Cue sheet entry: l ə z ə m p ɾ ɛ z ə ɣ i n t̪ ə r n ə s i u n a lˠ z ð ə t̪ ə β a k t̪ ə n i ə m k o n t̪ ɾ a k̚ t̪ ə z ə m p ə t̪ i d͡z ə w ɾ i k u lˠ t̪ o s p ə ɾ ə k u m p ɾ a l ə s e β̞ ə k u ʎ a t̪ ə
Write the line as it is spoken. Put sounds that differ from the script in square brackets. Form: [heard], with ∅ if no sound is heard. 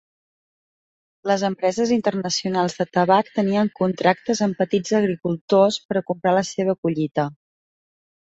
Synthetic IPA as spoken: l ə z ə m p ɾ ɛ z ə [z] i n t̪ ə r n ə s i u n a lˠ z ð ə t̪ ə β a k t̪ ə n i ə [ŋ] k [u] n t̪ ɾ a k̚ t̪ ə z ə m p ə t̪ i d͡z ə [ɣ] ɾ i k u lˠ t̪ o s p ə ɾ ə k u m p ɾ a l ə s e β̞ ə k u ʎ [i] t̪ ə